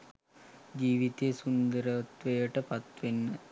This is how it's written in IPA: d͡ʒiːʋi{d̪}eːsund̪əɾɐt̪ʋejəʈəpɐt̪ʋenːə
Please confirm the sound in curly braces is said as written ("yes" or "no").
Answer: no